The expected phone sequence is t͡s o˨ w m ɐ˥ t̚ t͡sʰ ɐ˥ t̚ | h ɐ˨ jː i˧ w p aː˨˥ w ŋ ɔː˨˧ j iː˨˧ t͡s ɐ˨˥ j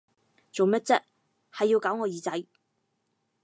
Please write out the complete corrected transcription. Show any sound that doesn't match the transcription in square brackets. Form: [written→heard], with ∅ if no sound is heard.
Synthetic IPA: t͡s o˨ w m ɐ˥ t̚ [t͡sʰ→t͡s] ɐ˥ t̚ | h ɐ˨ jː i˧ w [p→k] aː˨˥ w ŋ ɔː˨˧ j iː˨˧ t͡s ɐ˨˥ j